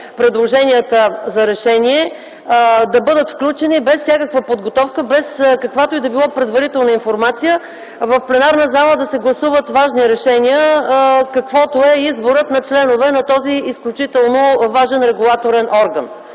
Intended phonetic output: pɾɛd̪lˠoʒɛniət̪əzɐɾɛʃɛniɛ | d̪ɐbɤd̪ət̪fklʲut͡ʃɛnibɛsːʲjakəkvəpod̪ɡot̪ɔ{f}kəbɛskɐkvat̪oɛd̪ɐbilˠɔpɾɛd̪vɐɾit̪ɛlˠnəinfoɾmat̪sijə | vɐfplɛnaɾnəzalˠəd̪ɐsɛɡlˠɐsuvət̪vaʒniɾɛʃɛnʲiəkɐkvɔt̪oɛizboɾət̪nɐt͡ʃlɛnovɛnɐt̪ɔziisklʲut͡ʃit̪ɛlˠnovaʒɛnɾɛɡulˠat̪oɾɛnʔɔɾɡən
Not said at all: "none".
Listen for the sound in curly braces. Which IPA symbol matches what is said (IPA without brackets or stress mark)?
f